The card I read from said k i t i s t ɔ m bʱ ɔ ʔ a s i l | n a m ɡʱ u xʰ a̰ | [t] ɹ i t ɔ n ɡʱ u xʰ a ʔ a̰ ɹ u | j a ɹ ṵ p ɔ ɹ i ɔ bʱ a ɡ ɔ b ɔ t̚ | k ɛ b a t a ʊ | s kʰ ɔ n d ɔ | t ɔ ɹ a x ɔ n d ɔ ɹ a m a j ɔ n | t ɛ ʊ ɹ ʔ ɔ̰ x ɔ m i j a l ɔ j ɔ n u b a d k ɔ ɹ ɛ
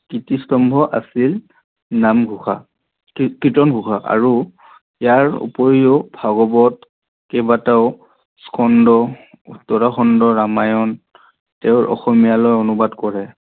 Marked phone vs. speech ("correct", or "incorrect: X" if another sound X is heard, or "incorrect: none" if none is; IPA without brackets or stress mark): incorrect: k